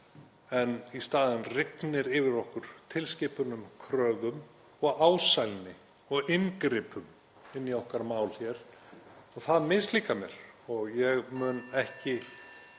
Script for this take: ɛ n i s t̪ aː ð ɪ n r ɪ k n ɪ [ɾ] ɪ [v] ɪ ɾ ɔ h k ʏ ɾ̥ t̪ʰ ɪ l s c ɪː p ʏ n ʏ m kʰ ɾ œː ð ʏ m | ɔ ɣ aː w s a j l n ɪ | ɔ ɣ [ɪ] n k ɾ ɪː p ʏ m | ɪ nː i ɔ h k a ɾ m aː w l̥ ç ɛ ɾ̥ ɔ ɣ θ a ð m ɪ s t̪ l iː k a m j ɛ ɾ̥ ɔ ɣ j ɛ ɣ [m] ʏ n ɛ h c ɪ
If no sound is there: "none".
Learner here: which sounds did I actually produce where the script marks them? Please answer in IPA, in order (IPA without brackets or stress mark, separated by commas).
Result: ɾ, v, ɪ, m